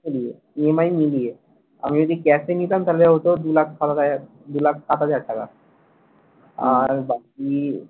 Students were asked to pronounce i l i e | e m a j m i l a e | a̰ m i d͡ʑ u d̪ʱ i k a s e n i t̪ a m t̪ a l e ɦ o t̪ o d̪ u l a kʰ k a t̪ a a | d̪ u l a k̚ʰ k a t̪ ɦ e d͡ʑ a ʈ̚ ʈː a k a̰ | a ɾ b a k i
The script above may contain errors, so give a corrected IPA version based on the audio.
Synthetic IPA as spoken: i l i e | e m a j m i l i e | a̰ m i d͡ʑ o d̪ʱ i k ɛ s e n i t̪ a m t̪ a l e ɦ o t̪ o d̪ u l a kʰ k a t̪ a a | d̪ u l a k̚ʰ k a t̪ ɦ a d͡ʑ a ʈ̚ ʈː a k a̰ | a ɾ b a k i